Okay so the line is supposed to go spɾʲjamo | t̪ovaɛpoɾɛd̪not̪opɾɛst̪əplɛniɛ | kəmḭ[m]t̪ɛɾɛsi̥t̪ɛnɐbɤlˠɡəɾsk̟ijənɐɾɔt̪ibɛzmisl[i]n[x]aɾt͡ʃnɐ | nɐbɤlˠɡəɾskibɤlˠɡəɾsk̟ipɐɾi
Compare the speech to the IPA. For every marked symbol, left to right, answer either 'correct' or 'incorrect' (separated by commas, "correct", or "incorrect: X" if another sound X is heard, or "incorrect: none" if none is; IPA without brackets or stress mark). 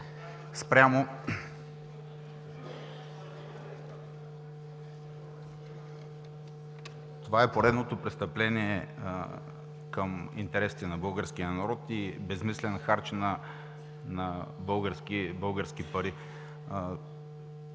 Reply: incorrect: n, incorrect: ɛ, correct